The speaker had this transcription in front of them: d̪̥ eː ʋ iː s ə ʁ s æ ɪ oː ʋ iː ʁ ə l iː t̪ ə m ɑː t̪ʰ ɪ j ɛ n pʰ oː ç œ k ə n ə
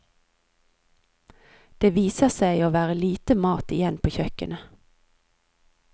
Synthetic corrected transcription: d̪̥ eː ʋ iː s ə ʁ s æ ɪ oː ʋ æː ʁ ə l iː t̪ ə m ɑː t̪ ɪ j ɛ n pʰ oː ç œ k ə n ə